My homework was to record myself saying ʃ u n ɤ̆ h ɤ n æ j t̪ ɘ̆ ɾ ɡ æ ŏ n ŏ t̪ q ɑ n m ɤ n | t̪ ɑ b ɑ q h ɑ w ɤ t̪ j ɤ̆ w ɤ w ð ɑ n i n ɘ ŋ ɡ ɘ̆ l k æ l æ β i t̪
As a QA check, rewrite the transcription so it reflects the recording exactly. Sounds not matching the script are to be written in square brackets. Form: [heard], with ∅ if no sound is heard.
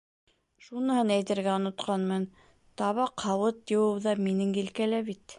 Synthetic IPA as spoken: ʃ u n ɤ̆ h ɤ n æ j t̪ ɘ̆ ɾ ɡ æ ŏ n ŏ t̪ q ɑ n m ɤ n | t̪ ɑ [β] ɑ q h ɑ w ɤ t̪ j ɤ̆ w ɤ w ð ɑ [m] i n ɘ ŋ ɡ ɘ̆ l k æ l æ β i t̪